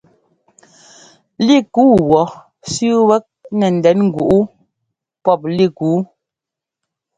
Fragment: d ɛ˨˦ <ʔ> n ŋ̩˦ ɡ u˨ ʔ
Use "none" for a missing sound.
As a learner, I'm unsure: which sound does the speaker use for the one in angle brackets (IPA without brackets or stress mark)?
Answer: none